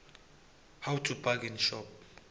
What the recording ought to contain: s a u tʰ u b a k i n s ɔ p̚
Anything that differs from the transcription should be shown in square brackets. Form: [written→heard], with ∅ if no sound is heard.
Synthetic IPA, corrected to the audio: [s→h] a [u→w] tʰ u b a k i n [s→ʃ] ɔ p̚